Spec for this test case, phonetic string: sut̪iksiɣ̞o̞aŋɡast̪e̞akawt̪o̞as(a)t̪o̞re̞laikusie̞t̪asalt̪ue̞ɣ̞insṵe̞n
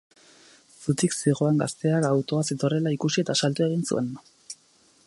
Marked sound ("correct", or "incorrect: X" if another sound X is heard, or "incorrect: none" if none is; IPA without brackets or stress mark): incorrect: e